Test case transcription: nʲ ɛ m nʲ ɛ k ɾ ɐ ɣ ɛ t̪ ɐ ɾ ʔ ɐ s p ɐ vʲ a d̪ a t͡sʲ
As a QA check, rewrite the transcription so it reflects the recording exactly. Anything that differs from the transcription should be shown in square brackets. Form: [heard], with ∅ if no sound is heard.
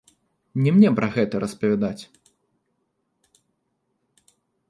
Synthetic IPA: nʲ ɛ m nʲ ɛ [p] ɾ ɐ ɣ ɛ t̪ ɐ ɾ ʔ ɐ s p ɐ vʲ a d̪ a t͡sʲ